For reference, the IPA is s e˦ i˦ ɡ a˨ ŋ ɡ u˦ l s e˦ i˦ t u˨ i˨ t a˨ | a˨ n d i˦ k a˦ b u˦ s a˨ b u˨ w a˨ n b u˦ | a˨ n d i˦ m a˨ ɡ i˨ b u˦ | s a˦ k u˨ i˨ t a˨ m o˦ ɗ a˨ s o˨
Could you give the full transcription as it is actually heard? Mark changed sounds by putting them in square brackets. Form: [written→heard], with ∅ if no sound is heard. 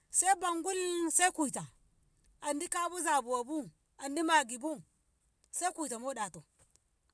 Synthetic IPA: s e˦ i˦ [ɡ→b] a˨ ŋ ɡ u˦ l s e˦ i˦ [t→k] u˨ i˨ t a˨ | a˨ n d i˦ k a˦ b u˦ [s→z] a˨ b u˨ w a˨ [n→∅] b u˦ | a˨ n d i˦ m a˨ ɡ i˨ b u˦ | s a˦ k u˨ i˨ t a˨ m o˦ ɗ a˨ [s→t] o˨